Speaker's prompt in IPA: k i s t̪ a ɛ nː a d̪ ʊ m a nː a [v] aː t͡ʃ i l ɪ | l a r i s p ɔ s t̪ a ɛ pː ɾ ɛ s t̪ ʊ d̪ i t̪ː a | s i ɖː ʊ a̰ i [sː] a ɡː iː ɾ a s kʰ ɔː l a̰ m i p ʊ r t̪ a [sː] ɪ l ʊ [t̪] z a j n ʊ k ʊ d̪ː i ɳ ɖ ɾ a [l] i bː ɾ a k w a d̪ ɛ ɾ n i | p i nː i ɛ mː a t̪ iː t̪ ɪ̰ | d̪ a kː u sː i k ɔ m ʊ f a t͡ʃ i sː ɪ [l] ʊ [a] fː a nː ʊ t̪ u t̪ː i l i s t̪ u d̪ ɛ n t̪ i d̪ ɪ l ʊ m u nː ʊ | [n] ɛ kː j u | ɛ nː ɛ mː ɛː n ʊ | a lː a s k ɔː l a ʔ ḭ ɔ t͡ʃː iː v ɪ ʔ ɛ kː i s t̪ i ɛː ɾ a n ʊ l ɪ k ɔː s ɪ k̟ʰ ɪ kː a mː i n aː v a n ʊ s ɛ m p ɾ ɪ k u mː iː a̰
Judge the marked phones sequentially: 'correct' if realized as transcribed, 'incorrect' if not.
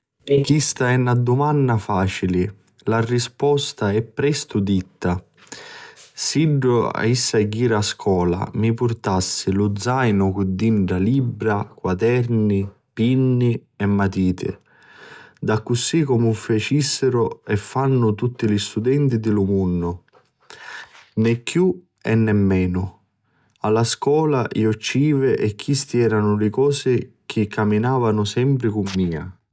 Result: incorrect, correct, correct, incorrect, correct, incorrect, incorrect, correct

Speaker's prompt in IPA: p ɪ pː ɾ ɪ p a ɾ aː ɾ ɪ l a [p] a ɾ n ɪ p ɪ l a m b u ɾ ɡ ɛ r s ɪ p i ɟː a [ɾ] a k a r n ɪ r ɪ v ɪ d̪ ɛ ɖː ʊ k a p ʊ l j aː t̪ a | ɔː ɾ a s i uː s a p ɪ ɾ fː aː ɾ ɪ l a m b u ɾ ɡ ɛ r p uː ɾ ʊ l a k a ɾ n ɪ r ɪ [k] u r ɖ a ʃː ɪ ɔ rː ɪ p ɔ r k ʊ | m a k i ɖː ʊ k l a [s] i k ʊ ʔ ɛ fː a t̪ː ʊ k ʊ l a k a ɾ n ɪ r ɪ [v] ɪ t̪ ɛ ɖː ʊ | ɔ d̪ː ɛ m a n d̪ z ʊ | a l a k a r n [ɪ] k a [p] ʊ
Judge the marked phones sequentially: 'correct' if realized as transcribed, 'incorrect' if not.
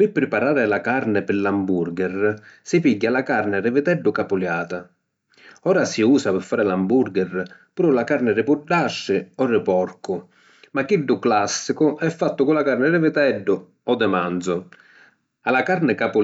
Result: incorrect, incorrect, incorrect, incorrect, correct, correct, correct

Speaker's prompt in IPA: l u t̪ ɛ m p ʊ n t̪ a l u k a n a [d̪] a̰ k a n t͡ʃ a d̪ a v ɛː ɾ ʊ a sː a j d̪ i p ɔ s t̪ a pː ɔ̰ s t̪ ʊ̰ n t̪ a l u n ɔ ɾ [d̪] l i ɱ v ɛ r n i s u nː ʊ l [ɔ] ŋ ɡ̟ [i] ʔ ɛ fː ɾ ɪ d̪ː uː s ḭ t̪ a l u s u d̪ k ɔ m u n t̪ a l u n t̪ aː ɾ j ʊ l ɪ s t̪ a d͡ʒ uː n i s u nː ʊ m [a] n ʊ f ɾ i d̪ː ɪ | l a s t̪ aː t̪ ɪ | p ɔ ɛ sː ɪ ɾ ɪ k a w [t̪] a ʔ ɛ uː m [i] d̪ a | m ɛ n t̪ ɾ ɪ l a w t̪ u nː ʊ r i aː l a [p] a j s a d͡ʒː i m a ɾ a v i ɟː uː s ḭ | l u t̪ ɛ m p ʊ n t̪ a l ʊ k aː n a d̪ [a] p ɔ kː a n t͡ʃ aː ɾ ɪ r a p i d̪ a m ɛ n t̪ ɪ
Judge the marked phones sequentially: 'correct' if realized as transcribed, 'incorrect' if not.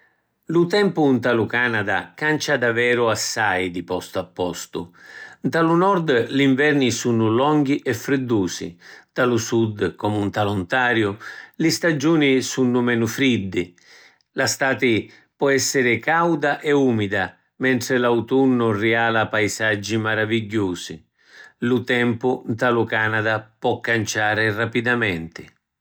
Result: correct, correct, correct, correct, incorrect, incorrect, correct, correct, correct

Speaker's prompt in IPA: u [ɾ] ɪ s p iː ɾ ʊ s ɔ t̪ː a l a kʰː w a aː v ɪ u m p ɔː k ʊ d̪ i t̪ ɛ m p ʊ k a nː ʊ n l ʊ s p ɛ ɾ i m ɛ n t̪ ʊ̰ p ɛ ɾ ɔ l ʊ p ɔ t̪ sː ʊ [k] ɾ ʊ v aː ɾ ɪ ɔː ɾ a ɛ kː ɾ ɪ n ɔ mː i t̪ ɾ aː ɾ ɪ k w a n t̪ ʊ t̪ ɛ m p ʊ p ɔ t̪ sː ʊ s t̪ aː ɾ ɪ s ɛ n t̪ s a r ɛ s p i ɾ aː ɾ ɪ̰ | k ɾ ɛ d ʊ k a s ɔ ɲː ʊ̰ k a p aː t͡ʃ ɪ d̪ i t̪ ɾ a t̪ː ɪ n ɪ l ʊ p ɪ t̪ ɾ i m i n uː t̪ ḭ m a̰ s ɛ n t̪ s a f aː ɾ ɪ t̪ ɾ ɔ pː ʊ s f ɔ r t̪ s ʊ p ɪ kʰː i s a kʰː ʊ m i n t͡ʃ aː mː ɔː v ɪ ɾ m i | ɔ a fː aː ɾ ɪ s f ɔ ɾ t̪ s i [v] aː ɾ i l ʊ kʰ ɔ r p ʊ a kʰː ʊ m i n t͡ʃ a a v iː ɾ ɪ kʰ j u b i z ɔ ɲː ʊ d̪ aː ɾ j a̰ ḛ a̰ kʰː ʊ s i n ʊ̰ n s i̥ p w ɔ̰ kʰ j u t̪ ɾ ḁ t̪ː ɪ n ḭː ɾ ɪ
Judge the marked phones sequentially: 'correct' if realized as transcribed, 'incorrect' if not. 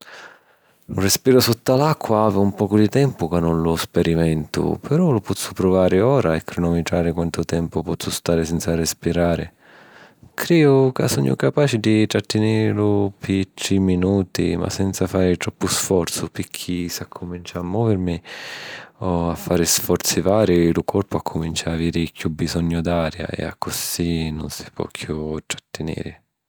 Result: incorrect, incorrect, correct

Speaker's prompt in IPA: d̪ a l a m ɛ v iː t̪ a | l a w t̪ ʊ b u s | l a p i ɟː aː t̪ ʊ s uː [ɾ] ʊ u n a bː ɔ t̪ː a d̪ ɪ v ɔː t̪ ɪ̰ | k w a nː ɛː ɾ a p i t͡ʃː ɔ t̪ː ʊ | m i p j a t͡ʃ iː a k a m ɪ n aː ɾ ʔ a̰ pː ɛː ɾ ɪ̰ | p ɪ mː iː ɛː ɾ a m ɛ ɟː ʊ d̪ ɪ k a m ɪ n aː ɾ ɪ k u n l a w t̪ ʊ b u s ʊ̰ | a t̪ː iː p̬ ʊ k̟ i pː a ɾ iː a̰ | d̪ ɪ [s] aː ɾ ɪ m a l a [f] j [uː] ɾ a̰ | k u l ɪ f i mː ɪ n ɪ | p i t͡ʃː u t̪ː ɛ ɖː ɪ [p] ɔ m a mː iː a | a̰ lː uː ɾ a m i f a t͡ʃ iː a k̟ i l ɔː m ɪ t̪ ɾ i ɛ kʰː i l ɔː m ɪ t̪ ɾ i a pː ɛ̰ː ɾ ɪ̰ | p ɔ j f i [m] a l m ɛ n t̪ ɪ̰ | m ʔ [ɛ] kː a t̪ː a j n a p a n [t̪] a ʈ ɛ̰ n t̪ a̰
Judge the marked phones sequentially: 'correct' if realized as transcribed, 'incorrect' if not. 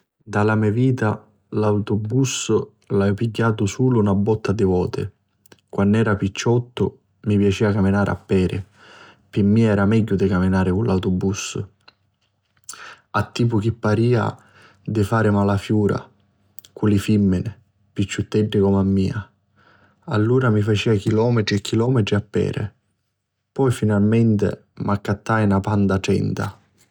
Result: incorrect, incorrect, correct, correct, incorrect, incorrect, incorrect, incorrect

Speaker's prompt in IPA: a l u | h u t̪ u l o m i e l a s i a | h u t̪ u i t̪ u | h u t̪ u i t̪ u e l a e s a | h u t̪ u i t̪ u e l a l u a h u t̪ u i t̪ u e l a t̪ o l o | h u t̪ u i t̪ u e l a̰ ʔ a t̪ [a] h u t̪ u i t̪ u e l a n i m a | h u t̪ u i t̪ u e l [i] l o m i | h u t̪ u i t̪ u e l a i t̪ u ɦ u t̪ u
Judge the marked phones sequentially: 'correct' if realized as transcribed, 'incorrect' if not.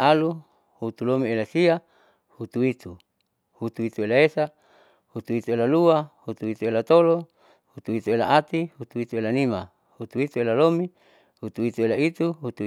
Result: incorrect, incorrect

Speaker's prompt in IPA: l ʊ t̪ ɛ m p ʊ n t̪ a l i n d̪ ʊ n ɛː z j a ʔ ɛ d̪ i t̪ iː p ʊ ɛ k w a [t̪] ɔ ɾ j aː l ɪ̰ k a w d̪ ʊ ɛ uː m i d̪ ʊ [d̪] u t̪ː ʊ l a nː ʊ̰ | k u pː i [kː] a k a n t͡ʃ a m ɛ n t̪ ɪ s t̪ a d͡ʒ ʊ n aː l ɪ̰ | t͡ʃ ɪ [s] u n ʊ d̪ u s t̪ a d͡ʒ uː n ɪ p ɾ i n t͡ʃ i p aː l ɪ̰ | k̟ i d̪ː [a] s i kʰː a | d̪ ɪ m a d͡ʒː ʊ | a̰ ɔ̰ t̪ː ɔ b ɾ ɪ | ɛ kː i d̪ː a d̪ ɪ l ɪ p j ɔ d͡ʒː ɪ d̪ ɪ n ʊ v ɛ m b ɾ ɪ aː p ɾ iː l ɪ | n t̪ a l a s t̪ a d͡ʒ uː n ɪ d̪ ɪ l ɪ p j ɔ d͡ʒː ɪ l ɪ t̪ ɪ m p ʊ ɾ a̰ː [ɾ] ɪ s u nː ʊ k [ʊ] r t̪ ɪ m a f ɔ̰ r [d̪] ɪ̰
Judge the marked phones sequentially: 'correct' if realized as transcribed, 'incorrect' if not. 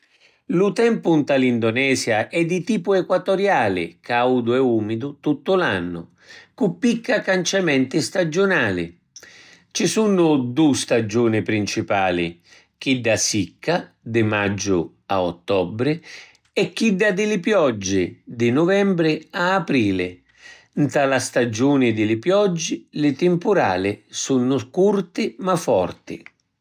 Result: correct, incorrect, correct, correct, correct, incorrect, incorrect, incorrect

